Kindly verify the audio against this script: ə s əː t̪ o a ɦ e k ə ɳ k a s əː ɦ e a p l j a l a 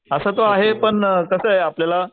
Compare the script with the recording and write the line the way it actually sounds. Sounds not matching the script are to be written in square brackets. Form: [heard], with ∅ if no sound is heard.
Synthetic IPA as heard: ə s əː t̪ o a ɦ e [p] ə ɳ k [ə] s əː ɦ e a p l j a l a